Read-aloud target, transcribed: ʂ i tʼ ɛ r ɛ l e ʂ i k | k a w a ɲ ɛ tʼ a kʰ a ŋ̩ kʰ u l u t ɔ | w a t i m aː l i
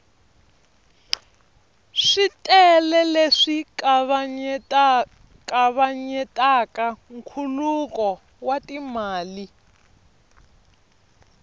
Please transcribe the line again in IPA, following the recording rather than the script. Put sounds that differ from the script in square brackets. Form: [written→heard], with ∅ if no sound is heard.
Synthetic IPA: ʂ i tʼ ɛ [r→l] ɛ l e ʂ i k | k a [w→β] a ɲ ɛ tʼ a [kʰ→k] a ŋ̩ kʰ u l u [t→k] ɔ | w a t i m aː l i